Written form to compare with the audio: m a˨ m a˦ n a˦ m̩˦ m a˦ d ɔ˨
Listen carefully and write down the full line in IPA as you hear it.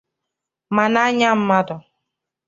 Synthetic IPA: m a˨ n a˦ ɲ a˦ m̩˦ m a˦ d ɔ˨